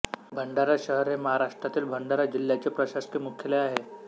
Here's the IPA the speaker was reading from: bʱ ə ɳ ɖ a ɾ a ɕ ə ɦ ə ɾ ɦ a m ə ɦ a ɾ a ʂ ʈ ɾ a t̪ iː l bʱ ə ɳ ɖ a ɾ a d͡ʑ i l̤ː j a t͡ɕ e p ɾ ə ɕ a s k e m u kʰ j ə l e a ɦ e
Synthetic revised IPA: bʱ ə ɳ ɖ a ɾ a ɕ ə ɦ ə ɾ ɦ e m ə ɦ a ɾ a ʂ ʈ ɾ a t̪ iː l bʱ ə ɳ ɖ a ɾ a d͡ʑ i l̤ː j a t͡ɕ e p ɾ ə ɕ a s k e m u kʰ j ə l e a ɦ e